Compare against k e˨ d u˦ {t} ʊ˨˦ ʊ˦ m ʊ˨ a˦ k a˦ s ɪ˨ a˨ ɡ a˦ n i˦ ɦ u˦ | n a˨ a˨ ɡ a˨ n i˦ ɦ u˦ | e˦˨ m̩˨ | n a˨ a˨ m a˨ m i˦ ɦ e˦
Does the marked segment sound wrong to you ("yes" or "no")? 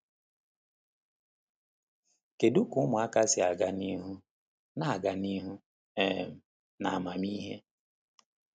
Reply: yes